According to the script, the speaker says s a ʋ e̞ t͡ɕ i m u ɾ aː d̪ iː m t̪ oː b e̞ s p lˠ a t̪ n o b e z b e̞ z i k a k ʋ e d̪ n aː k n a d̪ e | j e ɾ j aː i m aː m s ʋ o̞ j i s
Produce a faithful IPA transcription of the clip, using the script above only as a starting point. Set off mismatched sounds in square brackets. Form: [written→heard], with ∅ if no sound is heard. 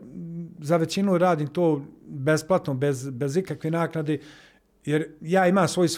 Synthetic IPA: [s→z] a ʋ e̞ t͡ɕ i [m→n] u ɾ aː d̪ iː m t̪ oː b e̞ s p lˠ a t̪ n o b e z b e̞ z i k a k ʋ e [d̪→∅] n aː k n a d̪ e | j e ɾ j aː i m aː m s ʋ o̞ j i s